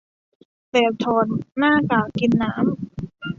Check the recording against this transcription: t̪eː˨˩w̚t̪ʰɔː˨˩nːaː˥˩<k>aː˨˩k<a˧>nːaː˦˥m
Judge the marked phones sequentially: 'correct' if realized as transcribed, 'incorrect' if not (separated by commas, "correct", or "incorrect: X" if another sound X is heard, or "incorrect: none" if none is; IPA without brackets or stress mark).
correct, incorrect: i˧